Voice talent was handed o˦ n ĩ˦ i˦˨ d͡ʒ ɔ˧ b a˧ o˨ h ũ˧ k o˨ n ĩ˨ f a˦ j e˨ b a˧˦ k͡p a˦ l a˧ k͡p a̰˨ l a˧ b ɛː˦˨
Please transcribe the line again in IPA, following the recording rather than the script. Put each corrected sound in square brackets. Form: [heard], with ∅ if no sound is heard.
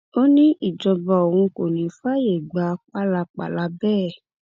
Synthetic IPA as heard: o˦ n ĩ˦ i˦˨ d͡ʒ ɔ˧ b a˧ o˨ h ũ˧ k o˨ n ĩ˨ f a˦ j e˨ [ɡ͡b] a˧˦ k͡p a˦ l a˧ k͡p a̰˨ l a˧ b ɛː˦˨